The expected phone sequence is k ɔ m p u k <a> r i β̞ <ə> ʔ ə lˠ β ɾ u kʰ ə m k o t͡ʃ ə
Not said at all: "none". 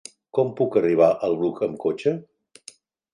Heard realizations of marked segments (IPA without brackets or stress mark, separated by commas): ə, a